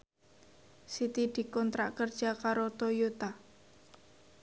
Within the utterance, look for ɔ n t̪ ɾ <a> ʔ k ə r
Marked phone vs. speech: correct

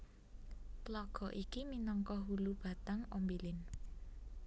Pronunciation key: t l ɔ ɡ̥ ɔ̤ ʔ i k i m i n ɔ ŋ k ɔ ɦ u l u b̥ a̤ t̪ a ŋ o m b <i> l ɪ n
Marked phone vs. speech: correct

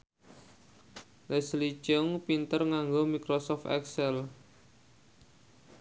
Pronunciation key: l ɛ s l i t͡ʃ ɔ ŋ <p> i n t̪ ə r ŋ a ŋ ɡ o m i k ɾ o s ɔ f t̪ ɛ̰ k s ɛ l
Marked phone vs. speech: correct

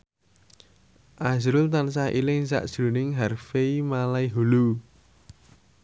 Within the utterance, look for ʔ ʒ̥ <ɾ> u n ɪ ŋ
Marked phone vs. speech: correct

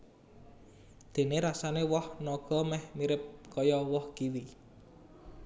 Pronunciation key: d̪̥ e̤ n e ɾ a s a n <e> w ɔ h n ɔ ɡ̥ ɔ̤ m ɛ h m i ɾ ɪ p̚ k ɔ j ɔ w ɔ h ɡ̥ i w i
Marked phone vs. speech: correct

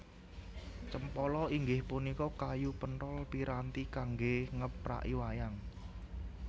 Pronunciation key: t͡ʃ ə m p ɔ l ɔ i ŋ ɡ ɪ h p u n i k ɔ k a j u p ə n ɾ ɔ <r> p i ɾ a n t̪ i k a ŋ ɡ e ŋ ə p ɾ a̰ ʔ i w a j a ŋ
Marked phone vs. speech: incorrect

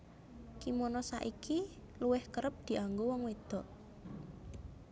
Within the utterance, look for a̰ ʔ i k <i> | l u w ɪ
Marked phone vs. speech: correct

